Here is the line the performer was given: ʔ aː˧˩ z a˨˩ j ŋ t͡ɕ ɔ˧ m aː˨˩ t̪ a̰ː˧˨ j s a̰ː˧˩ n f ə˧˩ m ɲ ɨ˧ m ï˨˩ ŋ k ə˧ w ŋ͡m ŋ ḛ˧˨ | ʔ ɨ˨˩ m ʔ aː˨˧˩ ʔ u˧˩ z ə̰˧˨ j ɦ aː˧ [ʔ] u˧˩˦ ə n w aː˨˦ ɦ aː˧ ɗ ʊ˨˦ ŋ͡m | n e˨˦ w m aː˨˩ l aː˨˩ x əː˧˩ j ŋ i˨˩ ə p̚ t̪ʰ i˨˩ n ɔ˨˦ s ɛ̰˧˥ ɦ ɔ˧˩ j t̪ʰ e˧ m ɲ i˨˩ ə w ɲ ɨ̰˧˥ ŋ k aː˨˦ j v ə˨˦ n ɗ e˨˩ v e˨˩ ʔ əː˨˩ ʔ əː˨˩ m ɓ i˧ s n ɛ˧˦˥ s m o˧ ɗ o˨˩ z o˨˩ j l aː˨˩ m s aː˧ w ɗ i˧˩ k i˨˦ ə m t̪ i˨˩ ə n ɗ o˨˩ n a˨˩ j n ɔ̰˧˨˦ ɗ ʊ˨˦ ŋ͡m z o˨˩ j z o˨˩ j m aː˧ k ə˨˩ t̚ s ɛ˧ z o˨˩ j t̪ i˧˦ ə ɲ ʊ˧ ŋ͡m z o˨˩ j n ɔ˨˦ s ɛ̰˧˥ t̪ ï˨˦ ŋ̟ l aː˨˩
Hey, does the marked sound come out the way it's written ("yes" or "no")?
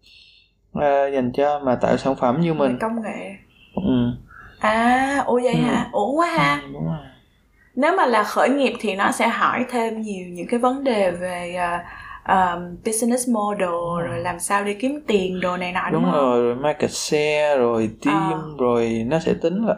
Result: yes